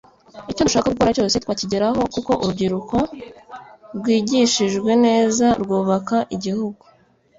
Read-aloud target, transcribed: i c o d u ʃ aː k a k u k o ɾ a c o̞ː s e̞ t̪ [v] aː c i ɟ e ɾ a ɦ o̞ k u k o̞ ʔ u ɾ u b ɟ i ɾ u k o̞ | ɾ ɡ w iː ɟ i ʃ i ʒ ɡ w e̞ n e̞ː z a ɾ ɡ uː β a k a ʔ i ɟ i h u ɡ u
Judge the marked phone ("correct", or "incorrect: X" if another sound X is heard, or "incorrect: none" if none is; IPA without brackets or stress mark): incorrect: w